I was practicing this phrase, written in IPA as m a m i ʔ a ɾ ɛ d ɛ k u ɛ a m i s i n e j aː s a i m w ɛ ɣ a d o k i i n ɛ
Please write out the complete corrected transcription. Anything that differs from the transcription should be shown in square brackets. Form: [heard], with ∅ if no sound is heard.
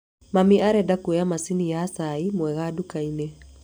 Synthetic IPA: m a m i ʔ a ɾ ɛ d [a] k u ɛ a m [a] s i n [i] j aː s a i m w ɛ ɣ a d [u] k [a] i n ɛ